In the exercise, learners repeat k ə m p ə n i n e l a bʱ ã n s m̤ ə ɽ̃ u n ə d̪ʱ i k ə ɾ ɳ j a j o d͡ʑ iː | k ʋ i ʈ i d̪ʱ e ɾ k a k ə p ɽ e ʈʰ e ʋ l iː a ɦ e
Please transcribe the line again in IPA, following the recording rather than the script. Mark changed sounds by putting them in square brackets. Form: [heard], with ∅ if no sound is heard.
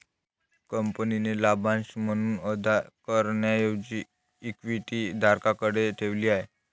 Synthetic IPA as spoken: k ə m p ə n i n e l a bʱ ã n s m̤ ə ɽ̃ [uː] n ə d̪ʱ [a] k ə ɾ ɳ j a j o d͡ʑ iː | k ʋ i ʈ i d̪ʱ [a] ɾ k a k ə [∅] ɽ e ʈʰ e ʋ l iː a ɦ e